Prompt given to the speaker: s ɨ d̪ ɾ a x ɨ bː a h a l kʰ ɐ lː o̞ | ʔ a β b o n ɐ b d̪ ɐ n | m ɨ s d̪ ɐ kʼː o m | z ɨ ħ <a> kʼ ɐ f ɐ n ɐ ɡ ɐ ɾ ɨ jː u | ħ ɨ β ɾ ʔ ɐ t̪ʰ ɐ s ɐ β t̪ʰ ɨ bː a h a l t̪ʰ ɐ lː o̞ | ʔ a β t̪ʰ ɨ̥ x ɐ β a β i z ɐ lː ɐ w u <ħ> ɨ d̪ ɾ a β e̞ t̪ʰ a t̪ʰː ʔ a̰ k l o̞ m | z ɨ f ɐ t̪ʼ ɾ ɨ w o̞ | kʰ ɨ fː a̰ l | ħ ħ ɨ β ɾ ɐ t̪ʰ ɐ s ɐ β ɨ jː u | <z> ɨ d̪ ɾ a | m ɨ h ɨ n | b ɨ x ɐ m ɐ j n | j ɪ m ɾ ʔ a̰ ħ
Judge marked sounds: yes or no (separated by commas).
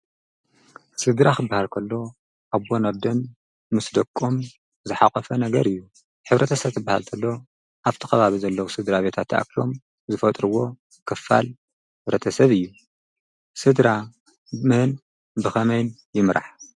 yes, no, no